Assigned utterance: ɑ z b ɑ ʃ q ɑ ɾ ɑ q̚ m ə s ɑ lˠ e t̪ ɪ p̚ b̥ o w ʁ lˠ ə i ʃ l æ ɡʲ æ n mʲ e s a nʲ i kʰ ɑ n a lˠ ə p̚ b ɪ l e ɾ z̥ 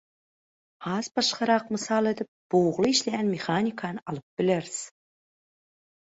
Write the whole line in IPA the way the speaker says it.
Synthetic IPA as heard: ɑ z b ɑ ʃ q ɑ ɾ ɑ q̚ m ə s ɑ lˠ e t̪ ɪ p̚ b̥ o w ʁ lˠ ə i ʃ l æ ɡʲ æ n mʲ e χ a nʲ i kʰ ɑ n ɑ lˠ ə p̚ b ɪ l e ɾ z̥